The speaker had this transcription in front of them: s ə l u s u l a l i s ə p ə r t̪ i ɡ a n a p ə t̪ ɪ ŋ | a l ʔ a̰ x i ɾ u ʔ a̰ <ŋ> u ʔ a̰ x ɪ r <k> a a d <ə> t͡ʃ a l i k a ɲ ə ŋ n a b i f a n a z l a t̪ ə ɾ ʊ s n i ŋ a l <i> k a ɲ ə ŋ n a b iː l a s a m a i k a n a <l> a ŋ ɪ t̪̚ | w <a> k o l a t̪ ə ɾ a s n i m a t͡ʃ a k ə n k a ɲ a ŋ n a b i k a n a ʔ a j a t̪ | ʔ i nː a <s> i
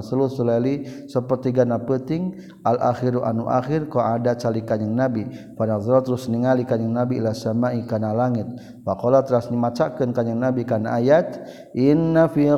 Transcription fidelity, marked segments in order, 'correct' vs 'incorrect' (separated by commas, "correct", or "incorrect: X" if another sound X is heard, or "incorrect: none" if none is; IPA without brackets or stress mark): incorrect: n, correct, incorrect: a, correct, correct, correct, incorrect: f